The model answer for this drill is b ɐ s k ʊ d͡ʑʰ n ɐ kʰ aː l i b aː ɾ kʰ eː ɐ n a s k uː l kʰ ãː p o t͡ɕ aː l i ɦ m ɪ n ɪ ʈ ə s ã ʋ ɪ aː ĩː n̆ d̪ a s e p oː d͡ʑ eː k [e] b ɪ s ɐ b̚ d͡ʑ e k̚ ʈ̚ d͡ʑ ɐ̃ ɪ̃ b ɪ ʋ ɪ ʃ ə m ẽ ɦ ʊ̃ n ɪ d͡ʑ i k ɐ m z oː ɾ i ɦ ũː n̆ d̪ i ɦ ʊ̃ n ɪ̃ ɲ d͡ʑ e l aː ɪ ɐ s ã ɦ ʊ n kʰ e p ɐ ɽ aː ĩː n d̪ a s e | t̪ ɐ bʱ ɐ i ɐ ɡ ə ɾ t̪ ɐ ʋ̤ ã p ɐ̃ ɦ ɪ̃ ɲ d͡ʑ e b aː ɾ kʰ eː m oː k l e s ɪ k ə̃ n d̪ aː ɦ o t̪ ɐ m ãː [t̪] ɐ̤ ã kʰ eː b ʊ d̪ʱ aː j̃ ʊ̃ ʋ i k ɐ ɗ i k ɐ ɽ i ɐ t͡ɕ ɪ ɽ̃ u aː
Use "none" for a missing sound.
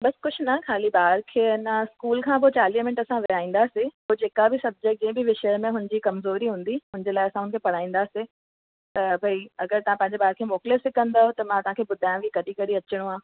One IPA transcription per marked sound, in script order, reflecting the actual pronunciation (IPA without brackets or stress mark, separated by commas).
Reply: a, t̪